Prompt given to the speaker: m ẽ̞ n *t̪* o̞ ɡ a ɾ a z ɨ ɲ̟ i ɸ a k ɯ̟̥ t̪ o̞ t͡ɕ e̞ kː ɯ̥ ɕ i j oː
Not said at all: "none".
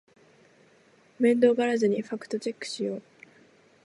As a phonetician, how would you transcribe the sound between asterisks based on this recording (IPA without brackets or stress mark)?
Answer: d̪